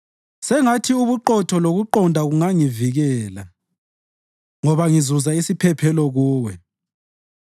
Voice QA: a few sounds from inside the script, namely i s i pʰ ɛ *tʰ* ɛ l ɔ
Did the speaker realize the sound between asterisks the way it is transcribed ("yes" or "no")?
no